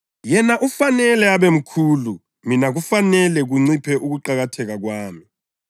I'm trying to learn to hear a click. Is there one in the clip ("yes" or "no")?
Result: yes